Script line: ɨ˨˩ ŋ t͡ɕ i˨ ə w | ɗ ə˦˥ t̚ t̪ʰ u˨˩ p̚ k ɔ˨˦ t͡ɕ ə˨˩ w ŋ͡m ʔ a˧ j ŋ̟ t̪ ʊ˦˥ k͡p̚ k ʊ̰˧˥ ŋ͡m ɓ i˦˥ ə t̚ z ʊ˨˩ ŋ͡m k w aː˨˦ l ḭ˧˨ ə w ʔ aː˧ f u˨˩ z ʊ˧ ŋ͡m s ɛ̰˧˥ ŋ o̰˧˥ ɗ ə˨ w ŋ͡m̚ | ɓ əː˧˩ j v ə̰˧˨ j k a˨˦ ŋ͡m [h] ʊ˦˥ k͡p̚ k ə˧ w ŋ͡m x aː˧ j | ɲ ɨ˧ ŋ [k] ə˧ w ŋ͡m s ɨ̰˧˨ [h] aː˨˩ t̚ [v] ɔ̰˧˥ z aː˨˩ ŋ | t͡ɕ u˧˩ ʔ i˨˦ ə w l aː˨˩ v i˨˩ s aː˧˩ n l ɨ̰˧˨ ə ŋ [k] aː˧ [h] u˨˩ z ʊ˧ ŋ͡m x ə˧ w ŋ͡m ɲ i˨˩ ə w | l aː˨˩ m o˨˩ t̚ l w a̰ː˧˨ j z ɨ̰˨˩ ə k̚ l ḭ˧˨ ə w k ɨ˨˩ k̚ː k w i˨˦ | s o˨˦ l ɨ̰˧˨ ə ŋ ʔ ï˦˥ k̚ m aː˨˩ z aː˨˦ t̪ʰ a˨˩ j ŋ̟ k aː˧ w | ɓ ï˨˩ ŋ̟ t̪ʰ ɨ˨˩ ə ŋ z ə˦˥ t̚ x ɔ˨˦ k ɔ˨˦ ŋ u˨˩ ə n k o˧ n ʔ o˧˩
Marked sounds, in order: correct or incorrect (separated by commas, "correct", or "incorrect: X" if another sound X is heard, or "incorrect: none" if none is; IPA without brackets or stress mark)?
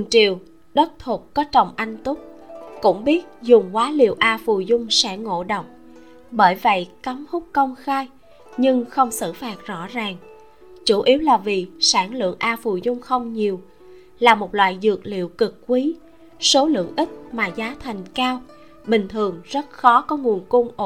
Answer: correct, incorrect: x, incorrect: f, incorrect: z, incorrect: ʔ, incorrect: f